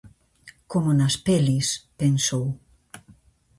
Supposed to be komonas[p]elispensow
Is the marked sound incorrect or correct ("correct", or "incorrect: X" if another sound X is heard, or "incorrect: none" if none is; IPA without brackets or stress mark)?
correct